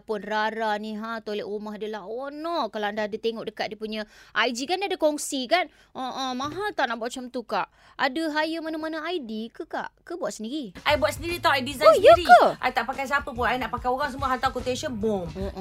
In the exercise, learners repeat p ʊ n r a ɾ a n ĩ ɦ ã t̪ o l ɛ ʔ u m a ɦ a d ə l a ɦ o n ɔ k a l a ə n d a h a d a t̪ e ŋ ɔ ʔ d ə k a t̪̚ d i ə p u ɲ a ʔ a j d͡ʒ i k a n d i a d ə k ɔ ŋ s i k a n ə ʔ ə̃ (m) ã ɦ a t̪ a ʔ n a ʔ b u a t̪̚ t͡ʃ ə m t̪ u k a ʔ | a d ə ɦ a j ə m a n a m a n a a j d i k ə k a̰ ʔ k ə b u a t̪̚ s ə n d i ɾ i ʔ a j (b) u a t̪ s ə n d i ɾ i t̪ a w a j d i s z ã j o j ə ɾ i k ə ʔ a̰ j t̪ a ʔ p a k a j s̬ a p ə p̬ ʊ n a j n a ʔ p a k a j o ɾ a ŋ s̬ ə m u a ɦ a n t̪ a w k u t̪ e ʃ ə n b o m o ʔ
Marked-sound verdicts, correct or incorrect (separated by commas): correct, correct